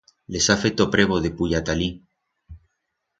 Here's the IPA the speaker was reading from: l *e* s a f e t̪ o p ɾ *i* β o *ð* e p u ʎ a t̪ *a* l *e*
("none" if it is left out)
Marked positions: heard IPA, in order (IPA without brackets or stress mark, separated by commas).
e, e, ð, a, i